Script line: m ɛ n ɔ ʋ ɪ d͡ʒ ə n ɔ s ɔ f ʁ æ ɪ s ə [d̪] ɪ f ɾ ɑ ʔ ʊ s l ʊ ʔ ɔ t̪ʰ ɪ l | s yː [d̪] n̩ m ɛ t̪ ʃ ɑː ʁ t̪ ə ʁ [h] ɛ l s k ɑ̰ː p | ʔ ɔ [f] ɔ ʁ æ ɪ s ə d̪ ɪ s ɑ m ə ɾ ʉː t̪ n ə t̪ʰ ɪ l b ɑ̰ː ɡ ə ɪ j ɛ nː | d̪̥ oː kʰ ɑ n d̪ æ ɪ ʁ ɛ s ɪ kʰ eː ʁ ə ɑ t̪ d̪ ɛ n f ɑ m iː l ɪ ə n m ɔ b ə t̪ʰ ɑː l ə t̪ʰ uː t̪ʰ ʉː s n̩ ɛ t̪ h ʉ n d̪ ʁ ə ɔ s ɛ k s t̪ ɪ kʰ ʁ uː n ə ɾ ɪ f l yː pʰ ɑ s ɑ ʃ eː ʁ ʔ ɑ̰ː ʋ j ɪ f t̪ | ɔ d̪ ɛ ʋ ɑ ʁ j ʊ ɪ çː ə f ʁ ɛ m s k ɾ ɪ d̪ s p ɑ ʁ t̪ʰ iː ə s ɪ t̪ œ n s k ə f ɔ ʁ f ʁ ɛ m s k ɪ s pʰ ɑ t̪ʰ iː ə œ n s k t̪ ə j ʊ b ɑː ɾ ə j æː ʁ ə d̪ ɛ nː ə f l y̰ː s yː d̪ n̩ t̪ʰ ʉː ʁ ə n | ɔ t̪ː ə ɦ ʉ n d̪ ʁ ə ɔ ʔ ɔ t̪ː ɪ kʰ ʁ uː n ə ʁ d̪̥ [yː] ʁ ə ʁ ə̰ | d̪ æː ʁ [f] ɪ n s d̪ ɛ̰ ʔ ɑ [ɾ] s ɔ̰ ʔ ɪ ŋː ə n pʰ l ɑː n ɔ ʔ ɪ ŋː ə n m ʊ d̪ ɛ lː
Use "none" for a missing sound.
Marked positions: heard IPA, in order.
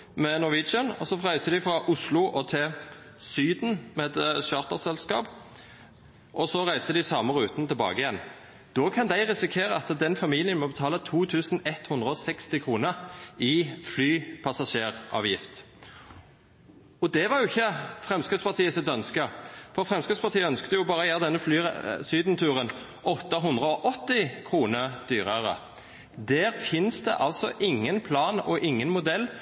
d̪, d̪, s, s, yː, f, l

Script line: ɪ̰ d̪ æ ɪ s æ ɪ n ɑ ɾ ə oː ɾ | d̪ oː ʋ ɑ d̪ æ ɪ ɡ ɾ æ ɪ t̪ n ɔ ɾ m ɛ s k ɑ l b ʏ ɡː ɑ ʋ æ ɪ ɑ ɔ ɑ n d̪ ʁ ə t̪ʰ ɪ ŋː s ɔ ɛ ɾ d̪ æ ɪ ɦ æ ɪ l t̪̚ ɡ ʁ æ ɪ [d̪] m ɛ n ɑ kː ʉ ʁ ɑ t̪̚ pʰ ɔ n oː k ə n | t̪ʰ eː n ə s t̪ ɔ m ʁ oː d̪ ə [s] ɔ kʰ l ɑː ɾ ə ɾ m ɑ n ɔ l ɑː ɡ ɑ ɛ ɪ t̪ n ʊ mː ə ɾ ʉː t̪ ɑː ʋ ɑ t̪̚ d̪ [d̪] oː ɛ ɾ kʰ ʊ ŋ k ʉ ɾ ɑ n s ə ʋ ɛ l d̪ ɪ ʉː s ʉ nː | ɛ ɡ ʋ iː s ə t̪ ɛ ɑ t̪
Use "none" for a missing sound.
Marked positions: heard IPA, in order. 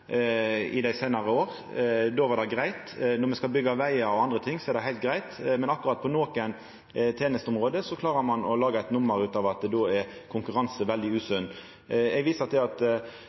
t̪, s, d̪

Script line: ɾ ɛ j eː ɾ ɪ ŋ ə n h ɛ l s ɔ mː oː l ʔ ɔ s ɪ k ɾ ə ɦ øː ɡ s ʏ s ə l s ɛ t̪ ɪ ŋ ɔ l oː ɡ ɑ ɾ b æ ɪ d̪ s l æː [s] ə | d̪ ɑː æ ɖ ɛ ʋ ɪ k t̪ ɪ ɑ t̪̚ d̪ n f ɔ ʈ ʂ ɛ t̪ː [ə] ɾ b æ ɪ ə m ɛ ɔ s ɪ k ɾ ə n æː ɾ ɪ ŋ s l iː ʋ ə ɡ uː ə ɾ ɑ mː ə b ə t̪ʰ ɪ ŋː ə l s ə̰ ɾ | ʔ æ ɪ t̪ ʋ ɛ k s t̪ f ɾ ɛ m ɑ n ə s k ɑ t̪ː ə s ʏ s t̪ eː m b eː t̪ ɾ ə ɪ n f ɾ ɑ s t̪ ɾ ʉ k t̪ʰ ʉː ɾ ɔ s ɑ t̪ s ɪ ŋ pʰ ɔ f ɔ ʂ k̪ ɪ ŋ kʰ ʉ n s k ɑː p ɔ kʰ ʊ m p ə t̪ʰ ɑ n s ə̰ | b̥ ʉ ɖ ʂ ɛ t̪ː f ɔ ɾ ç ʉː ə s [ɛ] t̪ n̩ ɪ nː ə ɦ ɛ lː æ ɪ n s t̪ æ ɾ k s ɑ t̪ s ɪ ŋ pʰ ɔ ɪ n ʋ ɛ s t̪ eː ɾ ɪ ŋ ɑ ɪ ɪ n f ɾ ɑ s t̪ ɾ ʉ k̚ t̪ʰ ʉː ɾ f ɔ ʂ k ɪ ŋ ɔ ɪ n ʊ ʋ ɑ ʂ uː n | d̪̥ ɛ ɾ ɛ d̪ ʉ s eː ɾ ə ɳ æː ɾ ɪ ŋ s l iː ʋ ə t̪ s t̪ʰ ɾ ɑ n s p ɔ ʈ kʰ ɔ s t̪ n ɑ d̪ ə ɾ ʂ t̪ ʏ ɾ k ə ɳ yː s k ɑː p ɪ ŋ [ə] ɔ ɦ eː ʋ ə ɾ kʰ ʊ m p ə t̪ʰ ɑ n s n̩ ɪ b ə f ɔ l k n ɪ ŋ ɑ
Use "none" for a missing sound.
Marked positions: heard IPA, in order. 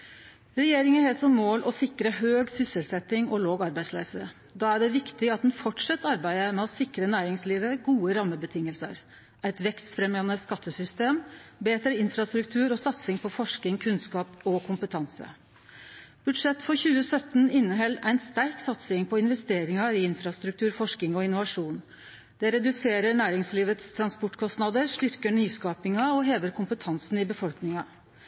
s, ɑ, œ, ɑ

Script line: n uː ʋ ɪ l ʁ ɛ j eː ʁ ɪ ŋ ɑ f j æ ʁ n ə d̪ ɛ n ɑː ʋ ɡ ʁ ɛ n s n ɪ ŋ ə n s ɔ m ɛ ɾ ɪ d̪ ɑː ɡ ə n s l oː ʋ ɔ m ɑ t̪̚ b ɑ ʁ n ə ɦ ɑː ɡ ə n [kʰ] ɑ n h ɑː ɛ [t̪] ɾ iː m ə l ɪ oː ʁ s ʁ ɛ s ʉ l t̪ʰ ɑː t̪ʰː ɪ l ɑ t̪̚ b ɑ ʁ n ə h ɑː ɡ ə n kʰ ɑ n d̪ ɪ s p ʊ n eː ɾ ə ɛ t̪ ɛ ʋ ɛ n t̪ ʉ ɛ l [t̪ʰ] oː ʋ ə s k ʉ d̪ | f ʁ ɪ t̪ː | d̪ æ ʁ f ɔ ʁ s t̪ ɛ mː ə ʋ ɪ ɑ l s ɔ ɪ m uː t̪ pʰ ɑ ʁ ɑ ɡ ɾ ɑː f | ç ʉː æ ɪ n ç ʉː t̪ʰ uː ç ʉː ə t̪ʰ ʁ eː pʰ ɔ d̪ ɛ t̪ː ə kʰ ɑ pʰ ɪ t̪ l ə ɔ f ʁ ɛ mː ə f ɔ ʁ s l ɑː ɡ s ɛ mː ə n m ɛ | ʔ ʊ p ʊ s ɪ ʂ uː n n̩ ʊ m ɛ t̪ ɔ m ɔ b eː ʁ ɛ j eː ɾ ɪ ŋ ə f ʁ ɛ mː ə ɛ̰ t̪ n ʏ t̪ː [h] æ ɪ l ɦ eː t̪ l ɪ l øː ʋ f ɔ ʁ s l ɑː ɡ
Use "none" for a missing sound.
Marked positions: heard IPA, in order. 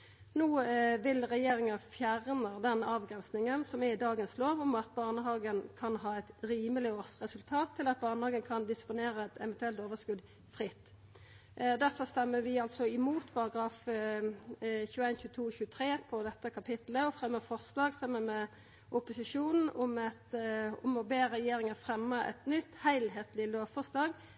kʰ, t̪, t̪, h

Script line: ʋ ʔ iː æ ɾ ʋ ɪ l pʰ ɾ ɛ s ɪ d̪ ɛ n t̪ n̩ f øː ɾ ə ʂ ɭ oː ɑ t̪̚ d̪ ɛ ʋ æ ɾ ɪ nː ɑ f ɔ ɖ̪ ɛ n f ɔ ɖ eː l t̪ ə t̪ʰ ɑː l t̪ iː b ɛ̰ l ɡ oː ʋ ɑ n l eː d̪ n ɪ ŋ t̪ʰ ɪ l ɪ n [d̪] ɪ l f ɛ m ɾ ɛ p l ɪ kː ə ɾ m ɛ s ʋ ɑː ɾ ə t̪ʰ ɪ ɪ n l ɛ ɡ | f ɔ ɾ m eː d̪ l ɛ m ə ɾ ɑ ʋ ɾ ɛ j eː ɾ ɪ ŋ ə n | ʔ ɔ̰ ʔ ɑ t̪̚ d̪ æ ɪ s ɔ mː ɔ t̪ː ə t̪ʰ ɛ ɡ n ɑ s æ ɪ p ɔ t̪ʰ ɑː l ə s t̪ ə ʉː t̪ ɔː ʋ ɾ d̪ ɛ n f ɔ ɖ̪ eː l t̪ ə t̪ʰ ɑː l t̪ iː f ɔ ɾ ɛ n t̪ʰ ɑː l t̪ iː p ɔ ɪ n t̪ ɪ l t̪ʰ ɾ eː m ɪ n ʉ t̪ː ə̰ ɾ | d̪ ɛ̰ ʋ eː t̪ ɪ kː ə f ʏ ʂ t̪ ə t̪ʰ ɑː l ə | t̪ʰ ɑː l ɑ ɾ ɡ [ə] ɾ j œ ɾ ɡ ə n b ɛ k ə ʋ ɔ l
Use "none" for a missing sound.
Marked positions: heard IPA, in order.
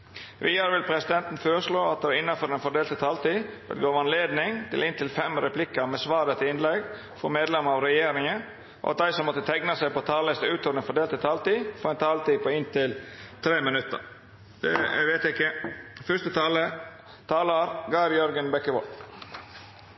t̪, ɑ

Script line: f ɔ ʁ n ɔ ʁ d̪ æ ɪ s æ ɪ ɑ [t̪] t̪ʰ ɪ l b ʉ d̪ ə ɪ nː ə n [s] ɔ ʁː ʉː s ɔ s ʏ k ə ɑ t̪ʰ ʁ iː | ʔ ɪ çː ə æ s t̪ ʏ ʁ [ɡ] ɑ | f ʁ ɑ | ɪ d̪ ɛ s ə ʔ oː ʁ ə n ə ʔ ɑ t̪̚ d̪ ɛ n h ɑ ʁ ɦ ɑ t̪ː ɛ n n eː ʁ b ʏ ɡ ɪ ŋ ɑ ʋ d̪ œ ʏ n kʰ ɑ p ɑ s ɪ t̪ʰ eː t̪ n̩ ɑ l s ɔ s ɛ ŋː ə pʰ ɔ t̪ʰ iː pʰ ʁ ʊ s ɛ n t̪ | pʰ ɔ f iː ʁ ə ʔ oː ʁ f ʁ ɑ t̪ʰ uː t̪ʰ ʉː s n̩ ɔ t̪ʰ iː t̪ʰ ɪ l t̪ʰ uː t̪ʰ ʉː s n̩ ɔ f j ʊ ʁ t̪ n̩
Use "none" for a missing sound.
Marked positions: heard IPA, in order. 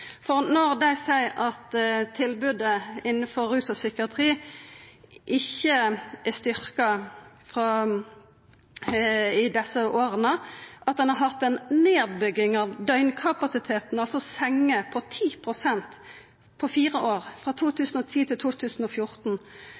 t̪, f, k

